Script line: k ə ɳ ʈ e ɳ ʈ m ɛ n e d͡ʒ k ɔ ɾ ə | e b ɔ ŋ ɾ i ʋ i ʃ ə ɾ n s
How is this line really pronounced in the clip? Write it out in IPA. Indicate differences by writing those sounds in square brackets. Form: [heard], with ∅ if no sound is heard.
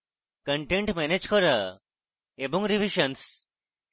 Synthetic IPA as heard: k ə ɳ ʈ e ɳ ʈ m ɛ n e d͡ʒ k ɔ ɾ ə | e b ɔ ŋ ɾ i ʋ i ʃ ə [∅] n s